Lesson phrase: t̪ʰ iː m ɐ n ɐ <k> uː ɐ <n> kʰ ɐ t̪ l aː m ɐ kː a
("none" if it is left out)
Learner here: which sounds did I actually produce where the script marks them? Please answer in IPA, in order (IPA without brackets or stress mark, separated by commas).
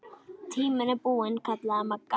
p, n